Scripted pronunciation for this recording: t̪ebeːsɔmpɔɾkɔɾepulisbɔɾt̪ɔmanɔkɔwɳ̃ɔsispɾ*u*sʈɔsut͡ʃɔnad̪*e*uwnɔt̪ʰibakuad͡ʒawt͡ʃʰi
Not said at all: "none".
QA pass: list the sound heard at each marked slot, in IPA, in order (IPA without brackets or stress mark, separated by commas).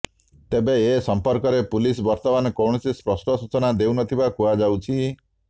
ɔ, e